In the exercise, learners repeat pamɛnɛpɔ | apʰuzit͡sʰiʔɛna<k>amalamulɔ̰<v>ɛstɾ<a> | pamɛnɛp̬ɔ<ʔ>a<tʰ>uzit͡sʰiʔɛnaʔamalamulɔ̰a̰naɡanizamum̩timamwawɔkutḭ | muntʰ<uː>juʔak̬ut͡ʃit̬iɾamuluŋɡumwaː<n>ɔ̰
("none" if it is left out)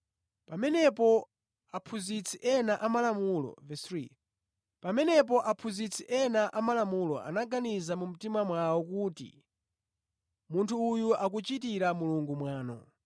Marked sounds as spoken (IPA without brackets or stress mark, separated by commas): ʔ, v, i, ʔ, pʰ, uː, n